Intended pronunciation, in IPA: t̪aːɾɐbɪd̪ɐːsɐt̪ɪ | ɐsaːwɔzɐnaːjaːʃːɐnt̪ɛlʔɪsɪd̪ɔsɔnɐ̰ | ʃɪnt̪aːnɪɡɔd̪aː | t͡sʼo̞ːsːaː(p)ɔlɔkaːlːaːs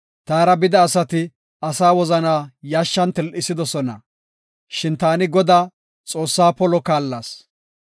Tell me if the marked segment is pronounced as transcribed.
yes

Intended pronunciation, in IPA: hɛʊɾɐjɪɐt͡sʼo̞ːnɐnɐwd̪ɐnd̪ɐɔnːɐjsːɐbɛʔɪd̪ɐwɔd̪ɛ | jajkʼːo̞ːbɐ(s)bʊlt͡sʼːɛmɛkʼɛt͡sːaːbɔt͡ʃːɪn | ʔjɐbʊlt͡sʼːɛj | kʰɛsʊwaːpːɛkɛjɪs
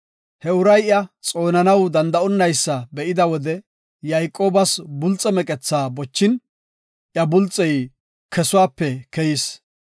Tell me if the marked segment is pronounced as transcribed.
yes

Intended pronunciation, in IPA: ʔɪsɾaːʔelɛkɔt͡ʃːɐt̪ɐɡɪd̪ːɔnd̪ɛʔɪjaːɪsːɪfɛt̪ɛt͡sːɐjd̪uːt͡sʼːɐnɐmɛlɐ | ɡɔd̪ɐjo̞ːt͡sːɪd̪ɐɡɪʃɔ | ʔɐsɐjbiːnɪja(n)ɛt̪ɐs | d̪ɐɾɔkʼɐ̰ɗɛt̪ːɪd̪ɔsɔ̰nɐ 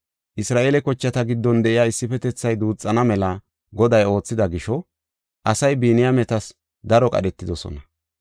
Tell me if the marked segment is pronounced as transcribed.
no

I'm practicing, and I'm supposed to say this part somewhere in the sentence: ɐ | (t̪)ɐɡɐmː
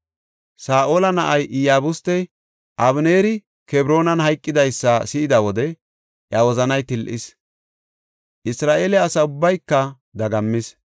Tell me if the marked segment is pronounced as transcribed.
no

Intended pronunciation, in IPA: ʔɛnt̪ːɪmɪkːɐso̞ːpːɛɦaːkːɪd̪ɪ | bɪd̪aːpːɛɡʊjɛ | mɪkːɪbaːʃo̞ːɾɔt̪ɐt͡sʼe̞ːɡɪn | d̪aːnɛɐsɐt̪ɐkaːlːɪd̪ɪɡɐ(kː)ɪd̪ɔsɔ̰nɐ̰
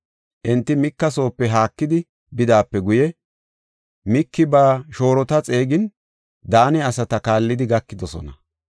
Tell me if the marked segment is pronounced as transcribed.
yes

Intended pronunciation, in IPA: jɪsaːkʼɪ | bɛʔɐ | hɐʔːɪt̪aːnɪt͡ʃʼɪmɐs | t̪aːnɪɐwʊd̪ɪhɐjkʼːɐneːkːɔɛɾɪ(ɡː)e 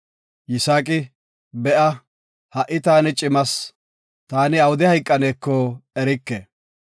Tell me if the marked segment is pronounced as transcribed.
no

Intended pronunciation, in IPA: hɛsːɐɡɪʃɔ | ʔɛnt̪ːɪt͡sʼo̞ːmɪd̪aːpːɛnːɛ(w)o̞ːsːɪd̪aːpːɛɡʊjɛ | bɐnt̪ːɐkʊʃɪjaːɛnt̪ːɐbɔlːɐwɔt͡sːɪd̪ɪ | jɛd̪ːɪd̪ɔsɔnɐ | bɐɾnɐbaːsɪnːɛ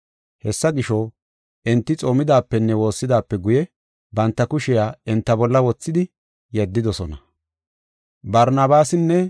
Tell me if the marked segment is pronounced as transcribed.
yes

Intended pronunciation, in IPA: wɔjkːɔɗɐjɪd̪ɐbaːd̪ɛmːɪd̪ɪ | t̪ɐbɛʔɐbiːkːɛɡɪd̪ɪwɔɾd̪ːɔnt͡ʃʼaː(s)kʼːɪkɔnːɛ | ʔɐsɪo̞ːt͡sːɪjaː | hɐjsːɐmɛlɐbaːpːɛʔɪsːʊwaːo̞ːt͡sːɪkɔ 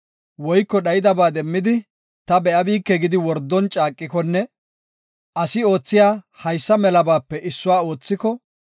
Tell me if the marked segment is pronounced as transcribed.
no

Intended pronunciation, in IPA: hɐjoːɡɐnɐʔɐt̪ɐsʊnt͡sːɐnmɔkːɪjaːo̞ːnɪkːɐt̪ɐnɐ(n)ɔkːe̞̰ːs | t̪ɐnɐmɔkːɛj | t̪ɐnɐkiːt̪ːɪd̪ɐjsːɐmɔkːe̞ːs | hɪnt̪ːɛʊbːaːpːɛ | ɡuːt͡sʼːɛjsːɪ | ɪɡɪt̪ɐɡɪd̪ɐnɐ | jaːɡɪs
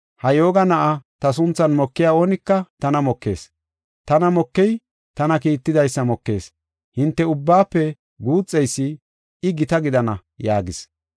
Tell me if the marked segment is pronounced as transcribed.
no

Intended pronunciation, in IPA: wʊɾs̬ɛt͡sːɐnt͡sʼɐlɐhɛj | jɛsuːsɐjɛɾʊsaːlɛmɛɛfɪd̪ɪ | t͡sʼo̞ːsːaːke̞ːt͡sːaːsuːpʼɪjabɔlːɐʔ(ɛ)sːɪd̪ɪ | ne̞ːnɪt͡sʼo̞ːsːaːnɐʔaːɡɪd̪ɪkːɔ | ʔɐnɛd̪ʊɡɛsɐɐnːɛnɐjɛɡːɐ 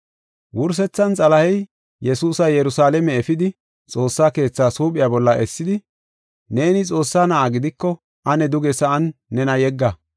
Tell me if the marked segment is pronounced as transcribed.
yes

